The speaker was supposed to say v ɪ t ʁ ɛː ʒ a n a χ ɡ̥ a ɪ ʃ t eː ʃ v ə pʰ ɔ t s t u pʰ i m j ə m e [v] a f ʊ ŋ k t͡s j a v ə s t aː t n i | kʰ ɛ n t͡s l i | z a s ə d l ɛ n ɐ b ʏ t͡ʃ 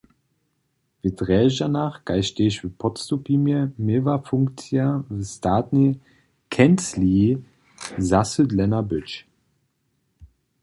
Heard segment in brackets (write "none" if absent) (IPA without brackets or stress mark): v